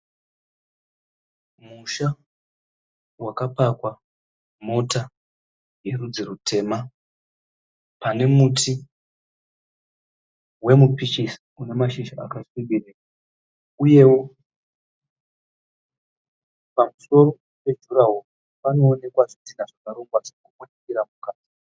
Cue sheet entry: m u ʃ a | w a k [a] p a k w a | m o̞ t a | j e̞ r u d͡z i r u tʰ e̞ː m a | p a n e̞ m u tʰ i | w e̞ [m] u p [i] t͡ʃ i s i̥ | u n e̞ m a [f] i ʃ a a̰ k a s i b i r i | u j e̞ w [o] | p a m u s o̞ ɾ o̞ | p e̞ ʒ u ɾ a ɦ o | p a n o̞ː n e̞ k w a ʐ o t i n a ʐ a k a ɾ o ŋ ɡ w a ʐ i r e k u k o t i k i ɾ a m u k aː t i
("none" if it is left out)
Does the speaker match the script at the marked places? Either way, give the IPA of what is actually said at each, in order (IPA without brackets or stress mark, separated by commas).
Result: a, m, i, ʃ, o